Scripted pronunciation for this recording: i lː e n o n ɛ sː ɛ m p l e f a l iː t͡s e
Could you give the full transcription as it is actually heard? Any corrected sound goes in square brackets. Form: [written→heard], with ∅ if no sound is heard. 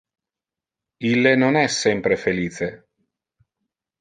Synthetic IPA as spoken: i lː e n o n ɛ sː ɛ m p [l→ɾ] e f [a→e] l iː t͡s e